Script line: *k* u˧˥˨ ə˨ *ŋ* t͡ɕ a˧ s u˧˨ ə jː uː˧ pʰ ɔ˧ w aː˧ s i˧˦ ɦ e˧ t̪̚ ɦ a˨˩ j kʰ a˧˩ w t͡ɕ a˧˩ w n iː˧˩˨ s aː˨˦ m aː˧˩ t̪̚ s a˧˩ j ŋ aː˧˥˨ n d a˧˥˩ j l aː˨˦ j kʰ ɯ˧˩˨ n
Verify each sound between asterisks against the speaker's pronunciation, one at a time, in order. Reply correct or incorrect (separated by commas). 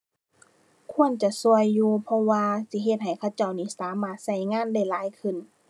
incorrect, incorrect